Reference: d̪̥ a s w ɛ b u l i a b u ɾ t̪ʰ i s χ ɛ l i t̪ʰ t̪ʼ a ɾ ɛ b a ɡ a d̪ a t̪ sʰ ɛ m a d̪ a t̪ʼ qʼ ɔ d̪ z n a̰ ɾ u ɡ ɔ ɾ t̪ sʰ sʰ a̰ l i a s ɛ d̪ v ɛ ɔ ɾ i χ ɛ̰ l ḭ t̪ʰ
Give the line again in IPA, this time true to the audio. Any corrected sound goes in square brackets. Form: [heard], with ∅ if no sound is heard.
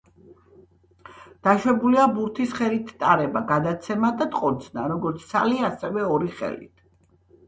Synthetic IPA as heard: d̪̥ a [ʃ] w ɛ b u l i a b u ɾ t̪ʰ i s χ ɛ l i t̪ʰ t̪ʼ a ɾ ɛ b a ɡ a d̪ a t̪ sʰ ɛ m a d̪ a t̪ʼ qʼ ɔ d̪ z n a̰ ɾ [ɔ] ɡ ɔ ɾ t̪ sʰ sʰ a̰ l i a s ɛ [∅] v ɛ ɔ ɾ i χ ɛ̰ l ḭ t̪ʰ